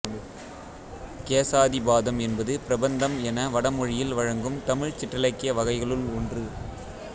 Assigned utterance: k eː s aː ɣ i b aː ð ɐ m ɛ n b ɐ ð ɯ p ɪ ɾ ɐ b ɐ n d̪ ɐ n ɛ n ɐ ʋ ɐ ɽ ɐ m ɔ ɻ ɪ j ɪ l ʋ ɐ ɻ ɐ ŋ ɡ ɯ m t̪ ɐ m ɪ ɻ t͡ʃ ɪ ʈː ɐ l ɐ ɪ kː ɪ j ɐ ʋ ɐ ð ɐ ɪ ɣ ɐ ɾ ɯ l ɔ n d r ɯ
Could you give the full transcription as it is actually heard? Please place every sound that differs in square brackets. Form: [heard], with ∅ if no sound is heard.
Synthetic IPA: k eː s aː [ð] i b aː ð ɐ m ɛ n b ɐ ð ɯ p ɪ ɾ ɐ b ɐ n d̪ ɐ [m] ɛ n ɐ ʋ ɐ ɽ ɐ m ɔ ɻ ɪ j ɪ l ʋ ɐ ɻ ɐ ŋ ɡ ɯ m t̪ ɐ m ɪ ɻ t͡ʃ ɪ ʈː ɐ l ɐ ɪ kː ɪ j ɐ ʋ ɐ [ɣ] ɐ ɪ ɣ ɐ [ɭ] ɯ l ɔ n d r ɯ